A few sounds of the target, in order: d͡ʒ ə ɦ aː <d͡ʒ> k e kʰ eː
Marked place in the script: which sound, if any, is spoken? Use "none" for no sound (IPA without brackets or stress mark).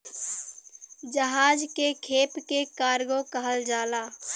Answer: d͡ʒ